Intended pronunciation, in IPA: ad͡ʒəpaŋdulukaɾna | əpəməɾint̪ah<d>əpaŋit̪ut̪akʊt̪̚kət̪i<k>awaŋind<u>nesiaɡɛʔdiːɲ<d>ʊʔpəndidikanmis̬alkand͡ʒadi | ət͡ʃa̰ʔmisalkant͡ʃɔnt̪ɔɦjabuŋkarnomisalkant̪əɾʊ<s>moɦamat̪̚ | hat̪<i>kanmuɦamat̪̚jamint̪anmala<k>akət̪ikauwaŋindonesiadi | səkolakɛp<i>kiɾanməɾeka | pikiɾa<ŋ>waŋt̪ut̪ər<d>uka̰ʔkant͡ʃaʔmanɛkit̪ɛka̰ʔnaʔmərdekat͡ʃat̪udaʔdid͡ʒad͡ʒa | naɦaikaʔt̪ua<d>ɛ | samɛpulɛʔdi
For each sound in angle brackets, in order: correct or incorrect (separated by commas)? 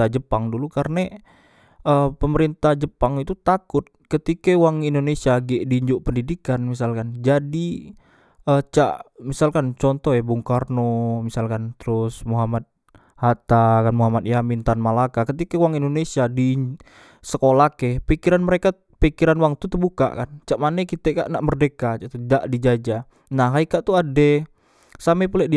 incorrect, correct, incorrect, incorrect, correct, incorrect, correct, correct, incorrect, incorrect, correct